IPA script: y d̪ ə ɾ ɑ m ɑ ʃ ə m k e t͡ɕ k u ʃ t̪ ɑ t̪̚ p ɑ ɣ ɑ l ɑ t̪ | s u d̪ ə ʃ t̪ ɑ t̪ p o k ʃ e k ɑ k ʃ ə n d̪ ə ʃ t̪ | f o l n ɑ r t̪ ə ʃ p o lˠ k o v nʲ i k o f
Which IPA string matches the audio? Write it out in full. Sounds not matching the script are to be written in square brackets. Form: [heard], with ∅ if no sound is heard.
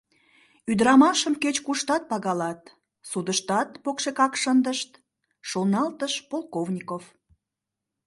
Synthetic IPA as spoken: y d̪ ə ɾ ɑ m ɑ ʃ ə m k e t͡ɕ k u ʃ t̪ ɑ t̪̚ p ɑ ɣ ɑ l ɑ t̪ | s u d̪ ə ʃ t̪ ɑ t̪ p o k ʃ e k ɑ k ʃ ə n d̪ ə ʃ t̪ | [ʃ] o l n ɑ [l] t̪ ə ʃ p o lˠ k o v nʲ i k o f